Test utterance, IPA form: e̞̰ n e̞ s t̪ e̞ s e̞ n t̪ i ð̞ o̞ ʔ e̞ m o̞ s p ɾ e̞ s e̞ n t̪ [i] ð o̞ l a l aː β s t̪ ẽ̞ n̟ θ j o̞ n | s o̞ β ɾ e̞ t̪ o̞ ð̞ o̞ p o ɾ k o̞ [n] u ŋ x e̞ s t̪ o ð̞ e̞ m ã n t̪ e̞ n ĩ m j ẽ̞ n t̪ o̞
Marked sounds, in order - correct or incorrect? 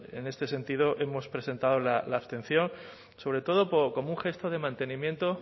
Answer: incorrect: a, incorrect: m

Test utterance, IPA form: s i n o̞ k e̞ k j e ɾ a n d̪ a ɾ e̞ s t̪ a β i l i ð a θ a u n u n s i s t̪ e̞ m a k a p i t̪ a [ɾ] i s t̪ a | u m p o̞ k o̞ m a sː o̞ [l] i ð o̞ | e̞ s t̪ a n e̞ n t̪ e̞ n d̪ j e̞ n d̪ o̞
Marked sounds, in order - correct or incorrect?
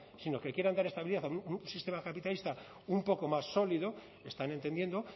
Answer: incorrect: l, correct

